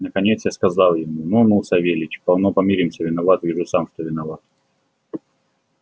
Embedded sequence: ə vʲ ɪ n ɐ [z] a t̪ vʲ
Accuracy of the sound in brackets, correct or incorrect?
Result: incorrect: v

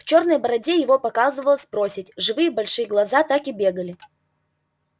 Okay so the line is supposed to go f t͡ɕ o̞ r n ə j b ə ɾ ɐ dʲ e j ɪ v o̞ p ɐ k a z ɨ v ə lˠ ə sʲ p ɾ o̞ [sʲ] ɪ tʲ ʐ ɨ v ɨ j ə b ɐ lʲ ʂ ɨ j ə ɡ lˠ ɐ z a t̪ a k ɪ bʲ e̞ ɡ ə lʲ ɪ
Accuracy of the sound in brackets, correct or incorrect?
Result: correct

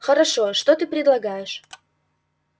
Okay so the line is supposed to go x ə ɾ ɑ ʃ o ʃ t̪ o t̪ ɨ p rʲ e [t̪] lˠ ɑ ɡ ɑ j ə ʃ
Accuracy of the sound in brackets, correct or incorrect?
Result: incorrect: d̪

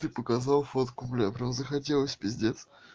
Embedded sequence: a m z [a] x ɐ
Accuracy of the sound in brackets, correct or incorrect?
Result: incorrect: ə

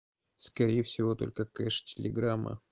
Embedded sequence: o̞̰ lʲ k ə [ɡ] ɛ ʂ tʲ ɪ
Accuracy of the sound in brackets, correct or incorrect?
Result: incorrect: k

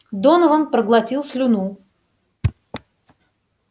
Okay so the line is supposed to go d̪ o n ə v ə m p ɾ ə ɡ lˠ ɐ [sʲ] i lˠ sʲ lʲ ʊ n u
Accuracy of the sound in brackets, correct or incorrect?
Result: incorrect: tʲ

